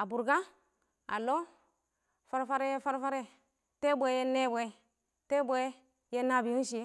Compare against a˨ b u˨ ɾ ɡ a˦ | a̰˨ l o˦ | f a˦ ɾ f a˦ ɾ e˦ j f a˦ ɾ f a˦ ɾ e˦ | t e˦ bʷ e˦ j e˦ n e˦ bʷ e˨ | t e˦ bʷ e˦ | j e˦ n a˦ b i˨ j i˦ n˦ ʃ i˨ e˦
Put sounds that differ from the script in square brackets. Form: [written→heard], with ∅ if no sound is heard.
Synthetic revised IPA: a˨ b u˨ ɾ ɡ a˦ | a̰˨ l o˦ | f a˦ ɾ f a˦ ɾ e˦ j f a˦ ɾ f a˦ ɾ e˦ | t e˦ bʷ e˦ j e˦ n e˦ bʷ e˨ | t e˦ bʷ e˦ | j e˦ n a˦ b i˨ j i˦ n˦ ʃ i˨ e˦

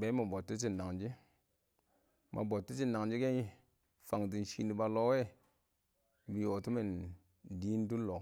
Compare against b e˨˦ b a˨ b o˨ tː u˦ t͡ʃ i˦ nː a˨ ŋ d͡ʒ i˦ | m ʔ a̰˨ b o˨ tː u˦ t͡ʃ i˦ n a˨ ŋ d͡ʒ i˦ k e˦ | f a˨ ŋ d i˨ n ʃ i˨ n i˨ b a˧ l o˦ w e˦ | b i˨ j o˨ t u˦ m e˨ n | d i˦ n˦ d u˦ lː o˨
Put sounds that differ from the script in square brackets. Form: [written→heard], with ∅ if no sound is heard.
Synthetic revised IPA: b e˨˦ [b→m] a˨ b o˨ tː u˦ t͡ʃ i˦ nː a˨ ŋ d͡ʒ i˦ | m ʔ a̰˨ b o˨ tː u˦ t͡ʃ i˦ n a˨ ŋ d͡ʒ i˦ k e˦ | f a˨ ŋ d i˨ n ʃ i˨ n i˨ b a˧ l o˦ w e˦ | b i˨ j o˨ t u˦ m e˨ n | d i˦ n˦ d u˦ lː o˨

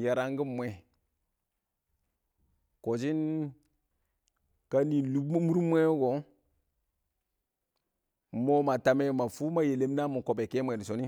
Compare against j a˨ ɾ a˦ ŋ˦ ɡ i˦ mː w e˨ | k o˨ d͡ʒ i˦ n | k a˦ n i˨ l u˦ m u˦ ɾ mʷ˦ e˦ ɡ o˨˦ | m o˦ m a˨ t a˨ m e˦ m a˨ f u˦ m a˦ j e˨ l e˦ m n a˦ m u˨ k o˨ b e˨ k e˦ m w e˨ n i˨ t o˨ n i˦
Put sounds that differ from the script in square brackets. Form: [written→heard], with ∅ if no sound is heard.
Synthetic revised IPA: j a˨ ɾ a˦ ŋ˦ ɡ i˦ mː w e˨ | k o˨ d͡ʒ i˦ n | k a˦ n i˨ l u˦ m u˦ ɾ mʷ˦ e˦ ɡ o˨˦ | m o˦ m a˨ t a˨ m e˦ m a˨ f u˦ m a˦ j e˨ l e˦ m n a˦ m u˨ k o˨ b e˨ k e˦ m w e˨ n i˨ [t→s] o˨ n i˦

